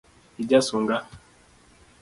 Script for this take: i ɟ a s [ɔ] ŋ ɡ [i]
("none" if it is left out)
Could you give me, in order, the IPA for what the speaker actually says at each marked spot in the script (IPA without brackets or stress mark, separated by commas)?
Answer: u, a